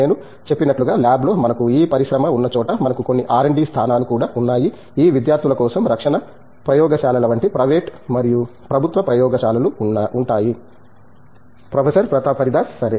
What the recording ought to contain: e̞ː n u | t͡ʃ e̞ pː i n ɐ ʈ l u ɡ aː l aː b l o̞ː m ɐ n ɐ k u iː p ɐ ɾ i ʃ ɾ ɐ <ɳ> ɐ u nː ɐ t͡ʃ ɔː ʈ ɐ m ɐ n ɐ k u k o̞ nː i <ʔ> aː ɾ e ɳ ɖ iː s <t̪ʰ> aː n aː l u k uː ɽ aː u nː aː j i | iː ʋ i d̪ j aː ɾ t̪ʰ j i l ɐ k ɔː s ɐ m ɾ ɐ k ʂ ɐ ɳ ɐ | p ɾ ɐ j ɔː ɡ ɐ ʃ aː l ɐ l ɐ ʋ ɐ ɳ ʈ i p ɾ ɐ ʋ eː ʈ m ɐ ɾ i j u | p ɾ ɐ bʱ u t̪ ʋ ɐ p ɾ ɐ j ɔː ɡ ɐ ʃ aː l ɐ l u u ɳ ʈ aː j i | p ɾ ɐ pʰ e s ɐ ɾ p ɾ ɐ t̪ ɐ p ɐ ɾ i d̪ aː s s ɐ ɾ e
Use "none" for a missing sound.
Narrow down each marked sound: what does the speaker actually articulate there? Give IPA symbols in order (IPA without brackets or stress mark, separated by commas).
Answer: m, ʔ, t̪ʰ